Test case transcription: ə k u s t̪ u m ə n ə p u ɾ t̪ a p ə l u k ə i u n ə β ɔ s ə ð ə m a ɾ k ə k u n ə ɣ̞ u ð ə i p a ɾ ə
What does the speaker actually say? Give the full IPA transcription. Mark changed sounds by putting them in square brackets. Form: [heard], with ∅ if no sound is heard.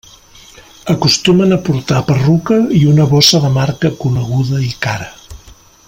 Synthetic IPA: ə k u s t̪ u m ə n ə p u ɾ t̪ a p ə [r] u k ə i u n ə β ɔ s ə ð ə m a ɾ k ə k u n ə ɣ̞ u ð ə i [k] a ɾ ə

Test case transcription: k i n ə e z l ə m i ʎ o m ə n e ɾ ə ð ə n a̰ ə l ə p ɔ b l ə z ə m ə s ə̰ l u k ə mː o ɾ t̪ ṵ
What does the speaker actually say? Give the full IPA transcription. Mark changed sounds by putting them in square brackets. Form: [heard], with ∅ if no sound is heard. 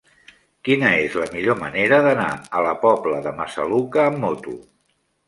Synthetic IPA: k i n ə e z l ə m i ʎ o m ə n e ɾ ə ð ə n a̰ ə l ə p ɔ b l ə [ð] ə m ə s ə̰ l u k [əː] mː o [∅] t̪ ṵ

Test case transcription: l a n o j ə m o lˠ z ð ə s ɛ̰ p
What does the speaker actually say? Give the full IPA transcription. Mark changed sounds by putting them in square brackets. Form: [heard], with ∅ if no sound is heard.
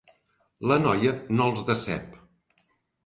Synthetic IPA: l [ə] n [ɔ] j ə [n] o lˠ z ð ə s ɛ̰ p

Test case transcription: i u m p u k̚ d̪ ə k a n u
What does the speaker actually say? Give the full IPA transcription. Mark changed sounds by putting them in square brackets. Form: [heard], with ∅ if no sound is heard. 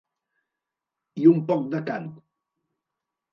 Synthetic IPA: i u m p [ɔ] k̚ d̪ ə k a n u

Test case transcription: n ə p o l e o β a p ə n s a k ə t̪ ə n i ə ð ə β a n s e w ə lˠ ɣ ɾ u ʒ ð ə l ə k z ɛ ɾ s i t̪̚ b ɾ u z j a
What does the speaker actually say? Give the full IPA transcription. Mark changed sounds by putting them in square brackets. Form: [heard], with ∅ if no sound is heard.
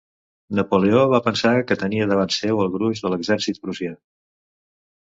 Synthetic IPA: n ə p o l e o β a p ə n s a k ə t̪ ə n i ə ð ə β a n s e w ə lˠ ɣ ɾ u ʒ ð ə l ə [ɡ] z ɛ ɾ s i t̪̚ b ɾ u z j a

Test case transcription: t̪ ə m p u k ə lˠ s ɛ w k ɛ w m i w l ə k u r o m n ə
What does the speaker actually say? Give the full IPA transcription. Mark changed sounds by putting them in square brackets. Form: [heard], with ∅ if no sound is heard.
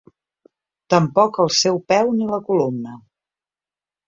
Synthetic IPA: t̪ ə m p [ɔ] k ə lˠ s ɛ w [p] ɛ w [n] i [∅] l ə k u [l] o m n ə

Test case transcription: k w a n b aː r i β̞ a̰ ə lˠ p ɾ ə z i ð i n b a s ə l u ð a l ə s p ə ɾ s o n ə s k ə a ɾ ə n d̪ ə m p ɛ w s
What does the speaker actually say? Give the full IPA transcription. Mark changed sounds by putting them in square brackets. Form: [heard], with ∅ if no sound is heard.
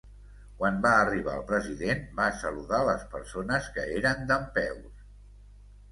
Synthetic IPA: k w a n b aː r i β̞ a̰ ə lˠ p ɾ ə z i ð [e] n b a s ə l u ð a l ə s p ə ɾ s o n ə s k ə [e] ɾ ə n d̪ ə m p ɛ w s

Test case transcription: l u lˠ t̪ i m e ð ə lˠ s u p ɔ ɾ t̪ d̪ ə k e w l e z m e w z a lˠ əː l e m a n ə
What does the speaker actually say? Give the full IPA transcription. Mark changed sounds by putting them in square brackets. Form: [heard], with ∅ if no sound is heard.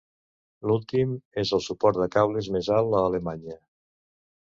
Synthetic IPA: l u lˠ t̪ i m e [z] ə lˠ s u p ɔ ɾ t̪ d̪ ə k [a] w l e z m e [∅] z a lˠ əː l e m a [ɲ] ə

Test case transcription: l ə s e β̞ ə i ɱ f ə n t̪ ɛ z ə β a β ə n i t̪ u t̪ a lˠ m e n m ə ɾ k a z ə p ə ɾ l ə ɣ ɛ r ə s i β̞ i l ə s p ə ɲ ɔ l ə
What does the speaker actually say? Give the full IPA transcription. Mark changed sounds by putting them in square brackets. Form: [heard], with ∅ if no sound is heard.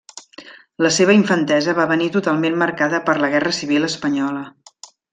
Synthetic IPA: l ə s e β̞ ə i ɱ f ə n t̪ ɛ z ə β a β ə n i t̪ u t̪ a lˠ m e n m ə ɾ k a [ð] ə p ə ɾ l ə ɣ ɛ r ə s i β̞ i l ə s p ə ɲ ɔ l ə

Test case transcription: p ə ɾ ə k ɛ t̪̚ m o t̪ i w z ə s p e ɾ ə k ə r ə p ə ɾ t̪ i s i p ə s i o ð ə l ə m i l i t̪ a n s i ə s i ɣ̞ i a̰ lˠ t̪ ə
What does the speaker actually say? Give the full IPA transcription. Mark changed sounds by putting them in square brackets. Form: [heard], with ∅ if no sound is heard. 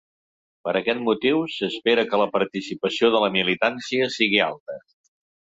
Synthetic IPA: p ə ɾ ə k ɛ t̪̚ m [u] t̪ i w [s] ə s p e ɾ ə k ə [l] ə p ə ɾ t̪ i s i p ə s i o ð ə l ə m i l i t̪ a n s i ə s i ɣ̞ i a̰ lˠ t̪ ə

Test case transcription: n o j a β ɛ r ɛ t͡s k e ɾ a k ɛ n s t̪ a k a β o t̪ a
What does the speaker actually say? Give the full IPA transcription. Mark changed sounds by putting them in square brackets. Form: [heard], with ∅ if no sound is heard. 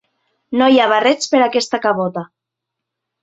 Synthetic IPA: n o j a β [a] r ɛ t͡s [p] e ɾ a k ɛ [∅] s t̪ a k a β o t̪ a

